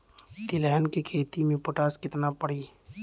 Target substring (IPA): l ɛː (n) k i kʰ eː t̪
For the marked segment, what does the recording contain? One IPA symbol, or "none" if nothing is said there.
n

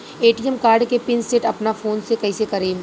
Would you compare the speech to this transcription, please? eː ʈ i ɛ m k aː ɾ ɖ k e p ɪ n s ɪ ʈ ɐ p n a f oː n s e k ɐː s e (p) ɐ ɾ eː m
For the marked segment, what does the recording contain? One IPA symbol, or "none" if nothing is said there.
k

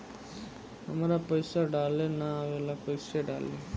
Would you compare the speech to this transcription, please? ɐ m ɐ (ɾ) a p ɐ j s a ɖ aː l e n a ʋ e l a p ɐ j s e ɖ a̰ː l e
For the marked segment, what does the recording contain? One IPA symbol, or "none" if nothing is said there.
ɾ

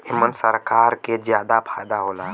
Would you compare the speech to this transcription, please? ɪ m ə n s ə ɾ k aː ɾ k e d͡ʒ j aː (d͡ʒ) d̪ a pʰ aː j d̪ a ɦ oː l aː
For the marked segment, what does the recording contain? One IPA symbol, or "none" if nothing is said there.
none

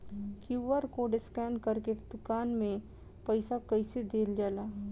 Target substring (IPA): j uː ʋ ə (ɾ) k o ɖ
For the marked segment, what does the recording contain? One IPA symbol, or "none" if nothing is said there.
ɾ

